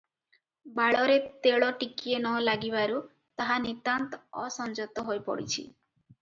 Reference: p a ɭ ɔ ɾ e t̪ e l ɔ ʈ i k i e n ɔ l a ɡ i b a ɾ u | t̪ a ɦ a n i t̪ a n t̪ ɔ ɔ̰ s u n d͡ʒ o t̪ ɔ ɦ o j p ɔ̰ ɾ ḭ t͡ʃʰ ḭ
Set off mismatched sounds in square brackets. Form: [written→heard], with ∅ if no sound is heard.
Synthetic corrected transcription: [p→b] a ɭ ɔ ɾ e t̪ e [l→ɭ] ɔ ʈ i k i e n ɔ l a ɡ i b a ɾ u | t̪ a ɦ a n i t̪ a n t̪ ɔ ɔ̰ s [u→ɔ] n d͡ʒ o t̪ ɔ ɦ o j p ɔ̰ [ɾ→ɽ] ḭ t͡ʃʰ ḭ